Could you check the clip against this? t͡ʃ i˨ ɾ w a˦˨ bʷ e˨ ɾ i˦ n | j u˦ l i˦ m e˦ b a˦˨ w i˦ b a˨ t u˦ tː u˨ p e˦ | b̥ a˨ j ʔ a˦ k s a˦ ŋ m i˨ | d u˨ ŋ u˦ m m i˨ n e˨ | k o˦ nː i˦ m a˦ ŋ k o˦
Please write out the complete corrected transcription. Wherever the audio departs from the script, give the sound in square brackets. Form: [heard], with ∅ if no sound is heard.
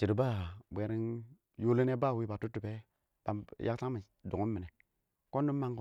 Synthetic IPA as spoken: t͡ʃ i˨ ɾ [b] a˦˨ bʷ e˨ ɾ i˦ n | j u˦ l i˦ [n] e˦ b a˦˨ w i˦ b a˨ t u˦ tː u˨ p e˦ | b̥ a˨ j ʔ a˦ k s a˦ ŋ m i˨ | d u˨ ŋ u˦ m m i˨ n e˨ | k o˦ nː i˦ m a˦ ŋ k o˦